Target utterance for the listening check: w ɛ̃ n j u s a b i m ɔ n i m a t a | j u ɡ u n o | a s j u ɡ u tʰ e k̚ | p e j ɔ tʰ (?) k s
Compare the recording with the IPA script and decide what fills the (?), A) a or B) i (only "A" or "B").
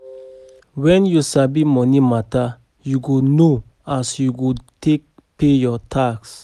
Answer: A